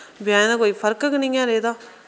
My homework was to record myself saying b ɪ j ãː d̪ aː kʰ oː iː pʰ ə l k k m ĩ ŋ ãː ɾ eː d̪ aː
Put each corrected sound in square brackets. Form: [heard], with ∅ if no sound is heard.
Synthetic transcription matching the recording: b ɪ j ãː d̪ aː [k] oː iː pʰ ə [ɾ] k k [n] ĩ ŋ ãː ɾ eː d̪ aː